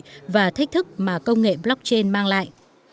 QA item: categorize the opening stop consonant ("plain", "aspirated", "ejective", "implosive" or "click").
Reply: aspirated